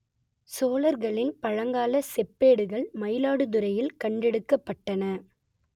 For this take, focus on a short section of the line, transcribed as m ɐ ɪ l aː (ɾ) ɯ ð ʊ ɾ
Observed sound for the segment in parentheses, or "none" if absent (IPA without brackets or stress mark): ɽ